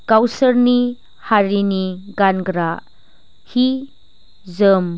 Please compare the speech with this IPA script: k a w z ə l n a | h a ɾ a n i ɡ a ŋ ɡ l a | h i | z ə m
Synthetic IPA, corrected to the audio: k a w s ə ɾ n i | h a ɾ i n i ɡ a n ɡ ɾ a | h i | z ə m